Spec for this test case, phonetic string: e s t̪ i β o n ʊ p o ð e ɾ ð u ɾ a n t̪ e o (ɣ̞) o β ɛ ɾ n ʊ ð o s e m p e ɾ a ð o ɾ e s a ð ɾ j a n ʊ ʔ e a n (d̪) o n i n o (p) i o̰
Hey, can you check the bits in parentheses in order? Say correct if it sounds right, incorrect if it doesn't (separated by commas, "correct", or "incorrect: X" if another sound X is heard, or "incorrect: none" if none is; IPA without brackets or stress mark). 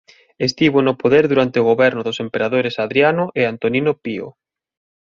correct, incorrect: t̪, correct